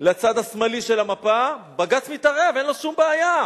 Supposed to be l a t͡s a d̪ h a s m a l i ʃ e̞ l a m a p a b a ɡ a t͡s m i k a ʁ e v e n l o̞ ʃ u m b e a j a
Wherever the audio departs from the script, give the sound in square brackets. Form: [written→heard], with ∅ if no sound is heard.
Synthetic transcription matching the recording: l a t͡s a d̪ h a s m a l i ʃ e̞ l a m a p a b a ɡ a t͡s m i [k→t] a ʁ e v e n l o̞ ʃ u m b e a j a

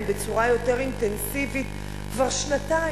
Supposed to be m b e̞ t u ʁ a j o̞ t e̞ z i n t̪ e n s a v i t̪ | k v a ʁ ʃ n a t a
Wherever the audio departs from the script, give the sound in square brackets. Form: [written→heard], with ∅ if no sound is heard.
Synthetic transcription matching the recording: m b e̞ [t→t͡s] u ʁ a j o̞ t e̞ [z→ʁ] i n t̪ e n s [a→i] v i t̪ | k v a ʁ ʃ n a t a

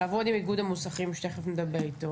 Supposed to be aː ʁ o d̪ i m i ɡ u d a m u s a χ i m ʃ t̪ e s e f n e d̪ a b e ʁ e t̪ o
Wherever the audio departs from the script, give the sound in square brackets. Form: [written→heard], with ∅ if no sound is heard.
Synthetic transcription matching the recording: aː [ʁ→v] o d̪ i m i ɡ u d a m u s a χ i m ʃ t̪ e [s→χ] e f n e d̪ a b e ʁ [e→i] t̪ o

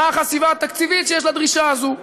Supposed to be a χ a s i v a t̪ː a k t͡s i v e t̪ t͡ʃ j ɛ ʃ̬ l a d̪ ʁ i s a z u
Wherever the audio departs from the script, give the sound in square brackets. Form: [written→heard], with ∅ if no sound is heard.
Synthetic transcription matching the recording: a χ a s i v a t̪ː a k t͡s i v [e→i] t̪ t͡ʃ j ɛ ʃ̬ l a d̪ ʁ i [s→ʃ] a z u

